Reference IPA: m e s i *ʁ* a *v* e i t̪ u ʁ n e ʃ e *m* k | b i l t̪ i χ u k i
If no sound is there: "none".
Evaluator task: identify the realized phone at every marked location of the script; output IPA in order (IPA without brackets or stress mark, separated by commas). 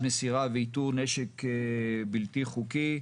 ʁ, v, none